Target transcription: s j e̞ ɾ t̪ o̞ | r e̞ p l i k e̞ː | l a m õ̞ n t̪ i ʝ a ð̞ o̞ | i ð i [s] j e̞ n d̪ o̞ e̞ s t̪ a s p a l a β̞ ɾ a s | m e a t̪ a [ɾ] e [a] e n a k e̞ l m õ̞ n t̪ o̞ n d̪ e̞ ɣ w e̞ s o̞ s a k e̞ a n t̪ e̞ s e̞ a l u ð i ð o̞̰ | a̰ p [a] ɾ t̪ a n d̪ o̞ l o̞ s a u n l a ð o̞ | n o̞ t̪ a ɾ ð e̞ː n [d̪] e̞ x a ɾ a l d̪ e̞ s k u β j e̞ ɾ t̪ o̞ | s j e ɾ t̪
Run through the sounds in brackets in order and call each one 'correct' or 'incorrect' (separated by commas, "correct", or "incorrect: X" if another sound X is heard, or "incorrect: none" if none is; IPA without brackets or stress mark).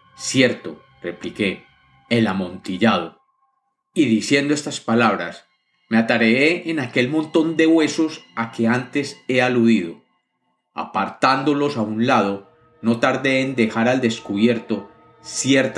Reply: correct, correct, incorrect: e, correct, correct